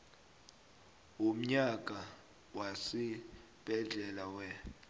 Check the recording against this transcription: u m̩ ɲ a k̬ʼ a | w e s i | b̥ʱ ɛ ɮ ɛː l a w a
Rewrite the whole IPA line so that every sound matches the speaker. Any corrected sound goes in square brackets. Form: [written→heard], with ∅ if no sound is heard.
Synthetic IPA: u m̩ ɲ a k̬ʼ a | w [e→a] s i | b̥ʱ ɛ ɮ [ɛː→ɛ] l a w [a→ɛ]